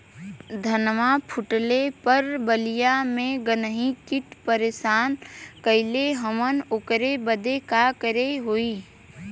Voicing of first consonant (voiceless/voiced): voiced